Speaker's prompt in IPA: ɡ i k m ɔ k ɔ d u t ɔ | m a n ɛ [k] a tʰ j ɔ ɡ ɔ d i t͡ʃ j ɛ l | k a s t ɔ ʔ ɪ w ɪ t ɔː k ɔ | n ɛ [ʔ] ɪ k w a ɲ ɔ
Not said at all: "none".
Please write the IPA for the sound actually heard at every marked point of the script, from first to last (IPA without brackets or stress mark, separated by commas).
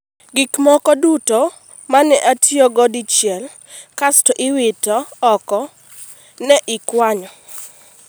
ʔ, ʔ